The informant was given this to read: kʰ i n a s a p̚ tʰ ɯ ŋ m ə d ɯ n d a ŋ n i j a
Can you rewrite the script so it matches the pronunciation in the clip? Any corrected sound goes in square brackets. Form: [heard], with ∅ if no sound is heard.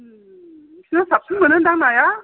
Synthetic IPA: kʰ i n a s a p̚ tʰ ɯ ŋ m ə [n] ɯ n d a ŋ n [a] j a